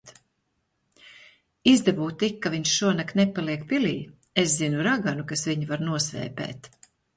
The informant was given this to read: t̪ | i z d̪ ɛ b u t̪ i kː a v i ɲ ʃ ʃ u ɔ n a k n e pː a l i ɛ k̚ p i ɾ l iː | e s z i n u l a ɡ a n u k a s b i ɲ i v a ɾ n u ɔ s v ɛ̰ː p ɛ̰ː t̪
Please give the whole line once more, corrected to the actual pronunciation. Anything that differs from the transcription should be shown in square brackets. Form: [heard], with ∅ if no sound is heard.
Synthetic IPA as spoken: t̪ | i z d̪ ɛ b [uː] t̪ i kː a v i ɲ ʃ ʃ u ɔ n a k n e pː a l i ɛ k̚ p i [∅] l iː | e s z i n u [ɾ] a ɡ a n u k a s [v] i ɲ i v a ɾ n u ɔ s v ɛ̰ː p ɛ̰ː t̪